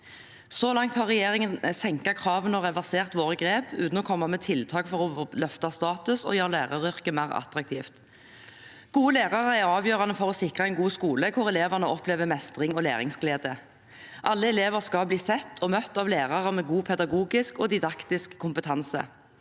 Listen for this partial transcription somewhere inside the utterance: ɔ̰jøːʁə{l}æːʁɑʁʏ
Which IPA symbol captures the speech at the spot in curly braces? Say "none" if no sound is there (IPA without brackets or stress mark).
l